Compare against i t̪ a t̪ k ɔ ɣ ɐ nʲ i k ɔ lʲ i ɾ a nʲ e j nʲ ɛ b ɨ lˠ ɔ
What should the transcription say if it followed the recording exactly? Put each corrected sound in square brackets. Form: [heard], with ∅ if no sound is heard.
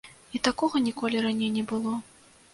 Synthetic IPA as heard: i t̪ a [∅] k ɔ ɣ ɐ nʲ i k ɔ lʲ i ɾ a nʲ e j nʲ ɛ b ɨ lˠ ɔ